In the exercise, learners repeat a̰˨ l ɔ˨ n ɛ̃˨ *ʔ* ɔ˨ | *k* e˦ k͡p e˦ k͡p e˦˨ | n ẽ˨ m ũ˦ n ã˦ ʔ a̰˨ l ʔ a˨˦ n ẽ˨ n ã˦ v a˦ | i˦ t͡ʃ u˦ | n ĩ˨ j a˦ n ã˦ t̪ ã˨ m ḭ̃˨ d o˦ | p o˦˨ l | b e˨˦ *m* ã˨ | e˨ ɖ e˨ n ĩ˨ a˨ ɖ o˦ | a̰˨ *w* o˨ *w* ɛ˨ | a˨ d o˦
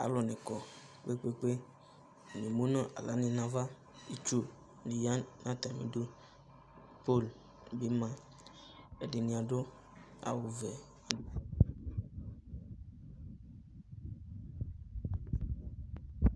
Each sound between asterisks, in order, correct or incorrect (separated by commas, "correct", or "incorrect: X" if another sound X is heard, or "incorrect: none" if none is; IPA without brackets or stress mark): incorrect: k, incorrect: k͡p, correct, correct, incorrect: v